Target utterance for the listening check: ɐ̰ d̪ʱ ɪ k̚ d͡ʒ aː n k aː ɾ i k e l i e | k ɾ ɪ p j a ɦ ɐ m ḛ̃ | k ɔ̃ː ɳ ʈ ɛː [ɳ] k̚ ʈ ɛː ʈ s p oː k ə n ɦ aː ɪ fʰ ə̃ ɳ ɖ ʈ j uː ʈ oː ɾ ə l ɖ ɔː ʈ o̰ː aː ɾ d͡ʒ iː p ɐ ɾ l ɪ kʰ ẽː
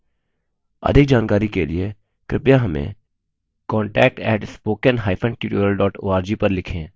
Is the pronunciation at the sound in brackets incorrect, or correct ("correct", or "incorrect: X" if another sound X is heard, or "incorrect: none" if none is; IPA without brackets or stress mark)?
incorrect: none